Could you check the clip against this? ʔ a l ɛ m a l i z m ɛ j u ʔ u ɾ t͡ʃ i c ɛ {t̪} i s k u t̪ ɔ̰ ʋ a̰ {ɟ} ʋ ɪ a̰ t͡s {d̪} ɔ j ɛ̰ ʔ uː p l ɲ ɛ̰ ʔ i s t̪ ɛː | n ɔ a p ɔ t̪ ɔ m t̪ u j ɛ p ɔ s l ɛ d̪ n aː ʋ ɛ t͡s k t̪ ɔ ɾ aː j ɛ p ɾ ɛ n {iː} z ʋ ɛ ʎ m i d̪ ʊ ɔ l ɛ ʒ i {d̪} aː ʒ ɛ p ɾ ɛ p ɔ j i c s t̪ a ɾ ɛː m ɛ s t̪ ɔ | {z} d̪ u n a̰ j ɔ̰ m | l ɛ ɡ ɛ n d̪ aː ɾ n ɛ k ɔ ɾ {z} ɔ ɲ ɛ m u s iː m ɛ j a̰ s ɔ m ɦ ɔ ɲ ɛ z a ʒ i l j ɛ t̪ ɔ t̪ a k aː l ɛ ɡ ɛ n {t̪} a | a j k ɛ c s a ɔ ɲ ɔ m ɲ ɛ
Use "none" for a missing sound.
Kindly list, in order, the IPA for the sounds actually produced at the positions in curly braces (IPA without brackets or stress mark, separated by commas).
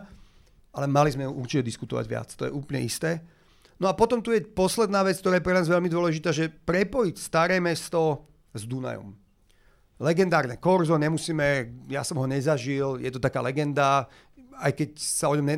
d̪, ɟ, t̪, aː, t̪, z, z, d̪